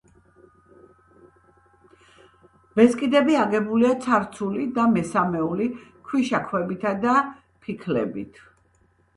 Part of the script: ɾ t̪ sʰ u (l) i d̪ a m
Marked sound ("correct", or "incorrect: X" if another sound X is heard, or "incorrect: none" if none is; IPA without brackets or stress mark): correct